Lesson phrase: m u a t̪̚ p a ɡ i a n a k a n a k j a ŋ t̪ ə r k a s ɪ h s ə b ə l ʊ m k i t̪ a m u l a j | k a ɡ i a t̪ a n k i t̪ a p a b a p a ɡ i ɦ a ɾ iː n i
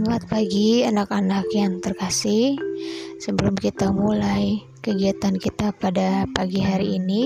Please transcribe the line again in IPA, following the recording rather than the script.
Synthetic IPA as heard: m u a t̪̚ p a ɡ i a n a k a n a k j a ŋ t̪ ə r k a s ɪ h s ə b ə l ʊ m k i t̪ a m u l a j | k ə ɡ i a t̪ a n k i t̪ a p a d a p a ɡ i ɦ a ɾ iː n i